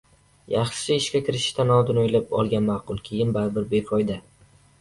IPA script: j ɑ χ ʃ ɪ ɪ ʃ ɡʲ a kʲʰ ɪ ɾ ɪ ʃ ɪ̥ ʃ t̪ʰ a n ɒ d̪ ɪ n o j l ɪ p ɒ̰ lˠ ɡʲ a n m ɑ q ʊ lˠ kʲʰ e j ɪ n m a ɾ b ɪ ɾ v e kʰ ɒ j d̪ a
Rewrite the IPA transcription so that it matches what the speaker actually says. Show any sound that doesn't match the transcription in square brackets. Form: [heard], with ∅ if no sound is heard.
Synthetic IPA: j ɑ χ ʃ ɪ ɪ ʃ [kʲ] a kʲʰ ɪ ɾ ɪ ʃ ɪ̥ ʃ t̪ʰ a n ɒ d̪ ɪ n o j l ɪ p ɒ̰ lˠ ɡʲ a n m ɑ q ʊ lˠ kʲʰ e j ɪ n [b] a ɾ b ɪ ɾ [b] e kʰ ɒ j d̪ a